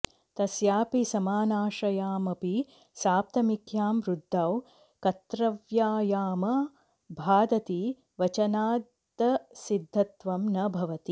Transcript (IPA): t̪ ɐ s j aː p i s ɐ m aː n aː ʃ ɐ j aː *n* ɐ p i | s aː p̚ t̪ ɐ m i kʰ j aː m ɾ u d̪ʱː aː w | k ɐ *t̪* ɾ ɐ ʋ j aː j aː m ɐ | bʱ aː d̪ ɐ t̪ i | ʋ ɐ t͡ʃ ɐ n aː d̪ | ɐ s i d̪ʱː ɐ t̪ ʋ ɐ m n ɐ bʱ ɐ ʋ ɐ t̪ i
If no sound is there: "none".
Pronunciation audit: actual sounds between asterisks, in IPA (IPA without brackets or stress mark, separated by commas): m, t̪